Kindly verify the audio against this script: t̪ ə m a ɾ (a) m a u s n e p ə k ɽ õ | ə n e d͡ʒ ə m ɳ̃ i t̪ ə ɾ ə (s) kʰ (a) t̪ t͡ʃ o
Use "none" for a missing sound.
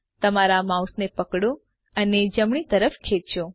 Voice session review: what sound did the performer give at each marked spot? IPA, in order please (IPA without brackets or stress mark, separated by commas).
a, f, e